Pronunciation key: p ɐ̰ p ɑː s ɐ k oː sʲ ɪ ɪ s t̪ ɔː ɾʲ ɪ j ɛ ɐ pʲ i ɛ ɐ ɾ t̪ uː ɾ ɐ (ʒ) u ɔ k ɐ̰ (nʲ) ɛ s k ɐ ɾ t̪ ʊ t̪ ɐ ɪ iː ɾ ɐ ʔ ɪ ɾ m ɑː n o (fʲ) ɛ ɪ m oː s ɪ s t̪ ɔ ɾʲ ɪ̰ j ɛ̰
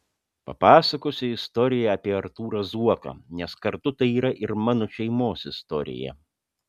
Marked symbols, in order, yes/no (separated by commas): no, yes, no